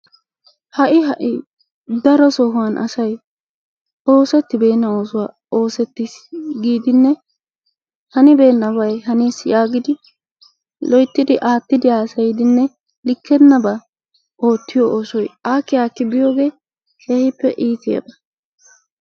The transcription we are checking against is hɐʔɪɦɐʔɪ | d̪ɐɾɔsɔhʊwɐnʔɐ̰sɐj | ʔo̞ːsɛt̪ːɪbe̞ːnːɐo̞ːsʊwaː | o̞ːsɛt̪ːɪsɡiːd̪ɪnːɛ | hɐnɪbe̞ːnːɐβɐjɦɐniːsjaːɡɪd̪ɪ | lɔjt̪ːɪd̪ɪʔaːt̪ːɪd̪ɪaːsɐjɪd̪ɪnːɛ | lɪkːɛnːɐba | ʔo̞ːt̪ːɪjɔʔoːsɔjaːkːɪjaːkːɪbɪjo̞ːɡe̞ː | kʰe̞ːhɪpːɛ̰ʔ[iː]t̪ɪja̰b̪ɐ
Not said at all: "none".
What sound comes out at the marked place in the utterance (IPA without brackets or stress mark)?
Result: iː